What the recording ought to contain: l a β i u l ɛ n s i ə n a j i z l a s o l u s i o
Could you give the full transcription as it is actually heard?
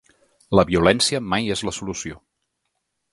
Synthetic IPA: l ə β i u l ɛ n s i ə m a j e z l ə s u l u s i o